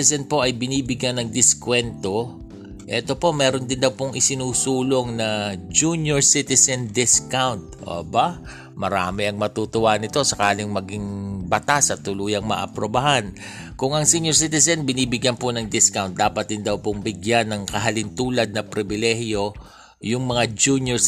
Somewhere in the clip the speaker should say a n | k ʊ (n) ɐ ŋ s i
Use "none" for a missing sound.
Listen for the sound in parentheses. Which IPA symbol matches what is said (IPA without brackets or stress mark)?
ŋ